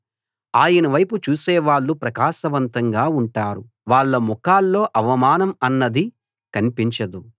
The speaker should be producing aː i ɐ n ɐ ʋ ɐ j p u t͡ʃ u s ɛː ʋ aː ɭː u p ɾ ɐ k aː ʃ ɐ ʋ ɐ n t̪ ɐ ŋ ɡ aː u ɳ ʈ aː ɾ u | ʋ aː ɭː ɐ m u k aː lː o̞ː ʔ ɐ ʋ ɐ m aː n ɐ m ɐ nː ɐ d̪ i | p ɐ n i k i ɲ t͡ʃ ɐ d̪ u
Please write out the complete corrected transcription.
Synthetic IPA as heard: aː j ɐ n ɐ ʋ ɐ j p u t͡ʃ uː s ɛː ʋ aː ɭː u p ɾ ɐ k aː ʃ ɐ ʋ ɐ n t̪ ɐ ŋ ɡ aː u ɳ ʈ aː ɾ u | ʋ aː ɭː ɐ m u k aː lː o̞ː ʔ ɐ ʋ ɐ m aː n ɐ m ɐ nː ɐ d̪ i | k ɐ n i p i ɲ t͡ʃ ɐ d̪ u

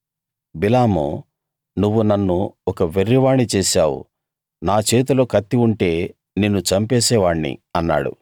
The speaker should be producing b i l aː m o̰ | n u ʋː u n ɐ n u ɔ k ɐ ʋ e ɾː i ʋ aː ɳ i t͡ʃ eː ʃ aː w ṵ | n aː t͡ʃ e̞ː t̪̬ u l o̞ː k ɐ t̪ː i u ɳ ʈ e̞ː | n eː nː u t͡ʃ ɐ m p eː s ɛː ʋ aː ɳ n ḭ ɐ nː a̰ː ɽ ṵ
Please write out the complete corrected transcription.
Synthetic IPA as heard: b i l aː m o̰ | n u ʋː u n ɐ nː u ɔ k ɐ ʋ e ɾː i ʋ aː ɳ i t͡ʃ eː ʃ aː w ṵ | n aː t͡ʃ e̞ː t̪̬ u l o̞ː k ɐ t̪ː i u ɳ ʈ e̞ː | n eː nː u t͡ʃ ɐ m p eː s ɛː ʋ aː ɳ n ḭ ɐ nː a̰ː ɽ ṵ

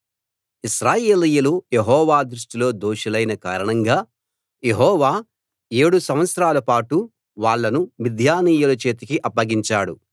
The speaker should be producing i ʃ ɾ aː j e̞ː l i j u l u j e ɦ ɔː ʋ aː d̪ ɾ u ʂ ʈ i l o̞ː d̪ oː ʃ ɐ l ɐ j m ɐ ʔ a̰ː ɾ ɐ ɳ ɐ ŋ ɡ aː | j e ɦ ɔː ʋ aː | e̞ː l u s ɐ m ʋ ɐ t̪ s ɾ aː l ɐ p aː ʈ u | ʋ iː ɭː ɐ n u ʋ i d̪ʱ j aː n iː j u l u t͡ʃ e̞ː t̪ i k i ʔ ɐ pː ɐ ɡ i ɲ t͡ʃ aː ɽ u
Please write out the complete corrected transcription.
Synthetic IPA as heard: i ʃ ɾ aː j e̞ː l i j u l u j e ɦ ɔː ʋ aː d̪ ɾ u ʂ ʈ i l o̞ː d̪ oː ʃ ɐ l ɐ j n ɐ k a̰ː ɾ ɐ ɳ ɐ ŋ ɡ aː | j e ɦ ɔː ʋ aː | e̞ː ɽ u s ɐ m ʋ ɐ t̪ s ɾ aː l ɐ p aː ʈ u | ʋ aː ɭː ɐ n u ʋ i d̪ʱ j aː n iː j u l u t͡ʃ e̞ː t̪ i k i ʔ ɐ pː ɐ ɡ i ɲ t͡ʃ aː ɽ u

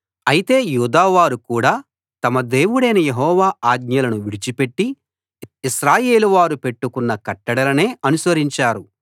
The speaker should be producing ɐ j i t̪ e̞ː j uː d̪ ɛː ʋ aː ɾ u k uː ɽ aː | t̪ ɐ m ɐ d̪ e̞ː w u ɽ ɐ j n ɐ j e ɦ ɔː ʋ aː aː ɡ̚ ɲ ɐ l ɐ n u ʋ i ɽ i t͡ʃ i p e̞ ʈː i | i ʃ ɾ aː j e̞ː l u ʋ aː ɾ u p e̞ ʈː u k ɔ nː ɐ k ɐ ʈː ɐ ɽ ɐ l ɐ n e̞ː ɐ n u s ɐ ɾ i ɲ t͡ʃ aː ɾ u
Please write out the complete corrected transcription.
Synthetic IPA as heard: ɐ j i t̪ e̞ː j uː d̪ aː ʋ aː ɾ u k uː ɽ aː | t̪ ɐ m ɐ d̪ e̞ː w u ɽ ɐ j n ɐ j e ɦ ɔː ʋ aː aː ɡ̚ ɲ ɐ l ɐ n u ʋ i ɽ i t͡ʃ i p e̞ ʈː i | i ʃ ɾ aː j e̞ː l u ʋ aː ɾ u p e̞ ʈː u k u nː ɐ k ɐ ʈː ɐ ɽ ɐ l ɐ n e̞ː ɐ n u s ɐ ɾ i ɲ t͡ʃ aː ɾ u

